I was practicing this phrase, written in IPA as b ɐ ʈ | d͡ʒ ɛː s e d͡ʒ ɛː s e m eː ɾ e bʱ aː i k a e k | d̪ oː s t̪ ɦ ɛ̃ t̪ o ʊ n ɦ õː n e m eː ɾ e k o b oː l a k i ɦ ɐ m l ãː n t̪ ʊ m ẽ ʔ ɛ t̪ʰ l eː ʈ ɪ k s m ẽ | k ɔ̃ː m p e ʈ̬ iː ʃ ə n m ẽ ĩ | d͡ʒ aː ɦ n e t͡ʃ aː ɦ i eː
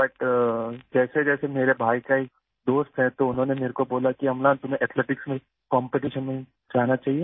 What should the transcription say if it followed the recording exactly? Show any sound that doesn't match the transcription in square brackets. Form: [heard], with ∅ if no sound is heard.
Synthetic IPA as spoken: b ɐ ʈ | d͡ʒ ɛː s e d͡ʒ ɛː s e m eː ɾ e bʱ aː i k a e k | d̪ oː s t̪ ɦ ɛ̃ t̪ o ʊ n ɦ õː n e m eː ɾ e k o b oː l a k i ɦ ɐ m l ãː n t̪ ʊ m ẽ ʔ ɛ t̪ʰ l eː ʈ ɪ k s m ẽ | k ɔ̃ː m p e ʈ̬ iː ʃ ə n m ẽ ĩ | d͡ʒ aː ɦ n [a] t͡ʃ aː ɦ i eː